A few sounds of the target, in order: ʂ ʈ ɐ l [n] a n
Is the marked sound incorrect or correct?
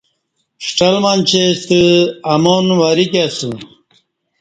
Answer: incorrect